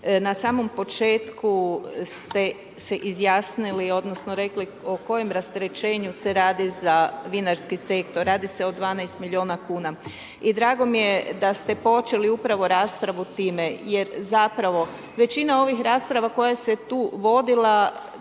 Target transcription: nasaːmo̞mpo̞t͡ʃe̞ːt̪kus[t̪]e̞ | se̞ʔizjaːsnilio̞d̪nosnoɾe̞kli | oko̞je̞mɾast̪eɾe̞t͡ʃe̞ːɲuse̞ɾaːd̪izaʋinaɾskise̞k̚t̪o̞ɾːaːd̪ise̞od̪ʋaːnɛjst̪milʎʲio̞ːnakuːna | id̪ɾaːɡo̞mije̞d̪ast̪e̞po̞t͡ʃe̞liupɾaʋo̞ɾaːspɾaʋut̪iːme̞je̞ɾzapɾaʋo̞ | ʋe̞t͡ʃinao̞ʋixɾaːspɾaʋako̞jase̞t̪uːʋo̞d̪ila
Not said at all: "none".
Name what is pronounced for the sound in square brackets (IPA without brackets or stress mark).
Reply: t̪